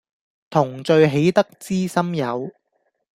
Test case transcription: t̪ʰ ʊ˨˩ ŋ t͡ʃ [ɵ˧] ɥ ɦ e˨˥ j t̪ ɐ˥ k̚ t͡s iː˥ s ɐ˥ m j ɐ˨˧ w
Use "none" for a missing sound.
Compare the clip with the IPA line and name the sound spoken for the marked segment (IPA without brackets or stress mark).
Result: ɵ˧